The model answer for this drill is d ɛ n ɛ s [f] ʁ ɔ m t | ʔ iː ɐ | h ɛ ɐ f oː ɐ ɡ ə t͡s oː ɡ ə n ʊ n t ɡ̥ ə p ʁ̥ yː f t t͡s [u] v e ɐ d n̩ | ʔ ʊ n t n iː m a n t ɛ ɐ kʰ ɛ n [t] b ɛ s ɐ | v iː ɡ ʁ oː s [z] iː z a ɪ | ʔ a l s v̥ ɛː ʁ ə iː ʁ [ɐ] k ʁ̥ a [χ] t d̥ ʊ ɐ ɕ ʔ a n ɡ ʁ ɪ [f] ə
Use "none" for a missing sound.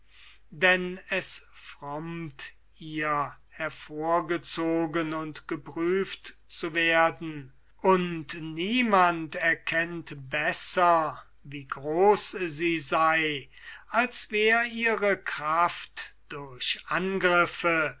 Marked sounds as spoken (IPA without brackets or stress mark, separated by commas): f, u, t, z, ə, f, f